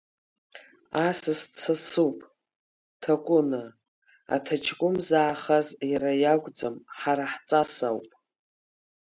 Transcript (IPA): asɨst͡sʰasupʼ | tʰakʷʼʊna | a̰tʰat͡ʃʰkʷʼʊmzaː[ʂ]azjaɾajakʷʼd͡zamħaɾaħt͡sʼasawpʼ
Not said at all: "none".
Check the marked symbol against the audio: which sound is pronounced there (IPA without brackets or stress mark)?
χ